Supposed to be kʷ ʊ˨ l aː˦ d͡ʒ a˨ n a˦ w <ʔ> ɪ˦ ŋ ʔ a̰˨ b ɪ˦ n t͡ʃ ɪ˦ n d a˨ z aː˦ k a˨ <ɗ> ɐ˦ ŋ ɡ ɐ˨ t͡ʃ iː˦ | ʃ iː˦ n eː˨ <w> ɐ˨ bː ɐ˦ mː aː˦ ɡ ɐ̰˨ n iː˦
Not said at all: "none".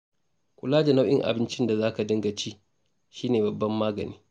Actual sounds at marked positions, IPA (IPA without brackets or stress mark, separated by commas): ʔ, d, b